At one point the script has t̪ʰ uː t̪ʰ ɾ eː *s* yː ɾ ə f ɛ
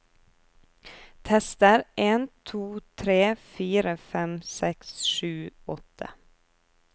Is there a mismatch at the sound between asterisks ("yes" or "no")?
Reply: yes